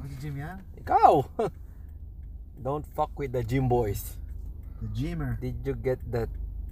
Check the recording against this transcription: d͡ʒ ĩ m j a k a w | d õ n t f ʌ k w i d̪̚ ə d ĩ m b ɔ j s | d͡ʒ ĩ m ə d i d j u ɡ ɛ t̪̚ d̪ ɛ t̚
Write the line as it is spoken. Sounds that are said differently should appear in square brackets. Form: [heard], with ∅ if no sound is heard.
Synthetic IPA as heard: d͡ʒ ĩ m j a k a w | d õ n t f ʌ k w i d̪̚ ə [d͡ʒ] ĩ m b ɔ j s | d͡ʒ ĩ m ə d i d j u ɡ ɛ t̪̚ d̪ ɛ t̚